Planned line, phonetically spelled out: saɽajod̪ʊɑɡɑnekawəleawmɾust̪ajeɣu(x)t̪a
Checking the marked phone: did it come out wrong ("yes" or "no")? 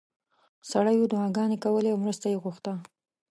no